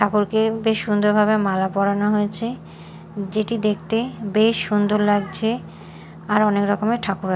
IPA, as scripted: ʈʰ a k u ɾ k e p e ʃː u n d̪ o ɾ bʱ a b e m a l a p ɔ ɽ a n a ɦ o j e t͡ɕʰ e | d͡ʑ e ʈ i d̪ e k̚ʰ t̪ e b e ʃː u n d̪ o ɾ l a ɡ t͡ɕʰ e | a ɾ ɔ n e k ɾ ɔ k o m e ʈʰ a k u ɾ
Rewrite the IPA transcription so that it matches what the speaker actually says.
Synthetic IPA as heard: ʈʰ a k u ɾ k e b e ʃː u n d̪ o ɾ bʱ a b e m a l a p ɔ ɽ a n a ɦ o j e t͡ɕʰ e | d͡ʑ e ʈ i d̪ e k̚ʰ t̪ e b e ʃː u n d̪ o ɾ l a ɡ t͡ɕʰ e | a ɾ ɔ n e k ɾ ɔ k o m e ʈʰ a k u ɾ